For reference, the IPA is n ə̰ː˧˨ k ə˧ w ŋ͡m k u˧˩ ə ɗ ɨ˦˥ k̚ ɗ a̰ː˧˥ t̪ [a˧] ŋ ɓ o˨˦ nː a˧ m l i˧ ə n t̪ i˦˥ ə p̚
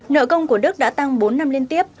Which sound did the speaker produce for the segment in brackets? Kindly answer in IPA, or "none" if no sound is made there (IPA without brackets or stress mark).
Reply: a˧